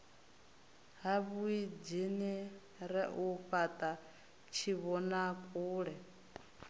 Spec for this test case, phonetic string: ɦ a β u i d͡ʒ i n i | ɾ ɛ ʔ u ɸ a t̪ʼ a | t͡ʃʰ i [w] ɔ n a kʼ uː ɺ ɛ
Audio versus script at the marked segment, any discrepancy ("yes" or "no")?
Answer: yes